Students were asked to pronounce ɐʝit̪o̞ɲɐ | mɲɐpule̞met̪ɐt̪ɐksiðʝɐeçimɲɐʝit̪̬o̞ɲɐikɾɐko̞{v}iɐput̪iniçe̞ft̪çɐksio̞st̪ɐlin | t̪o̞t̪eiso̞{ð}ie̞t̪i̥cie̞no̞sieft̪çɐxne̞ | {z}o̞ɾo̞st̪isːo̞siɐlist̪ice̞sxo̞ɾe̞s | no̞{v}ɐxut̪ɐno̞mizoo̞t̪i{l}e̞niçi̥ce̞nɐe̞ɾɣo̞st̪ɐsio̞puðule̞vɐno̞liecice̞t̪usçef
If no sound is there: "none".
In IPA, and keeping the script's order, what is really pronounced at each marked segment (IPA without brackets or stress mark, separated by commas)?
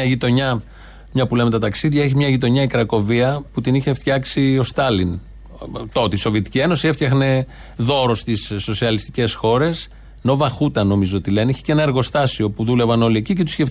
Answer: v, v, ð, v, l